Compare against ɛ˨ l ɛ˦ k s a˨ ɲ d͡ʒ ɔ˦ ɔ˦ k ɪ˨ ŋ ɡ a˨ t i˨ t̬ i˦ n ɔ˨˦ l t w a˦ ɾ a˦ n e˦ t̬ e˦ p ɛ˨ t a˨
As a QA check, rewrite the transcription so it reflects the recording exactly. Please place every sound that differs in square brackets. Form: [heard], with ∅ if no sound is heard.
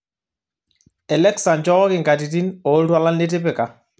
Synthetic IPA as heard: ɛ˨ l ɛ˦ k s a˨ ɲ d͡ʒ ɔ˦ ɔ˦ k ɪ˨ ŋ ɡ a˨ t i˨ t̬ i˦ n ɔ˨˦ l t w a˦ [l] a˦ n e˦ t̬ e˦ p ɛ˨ [k] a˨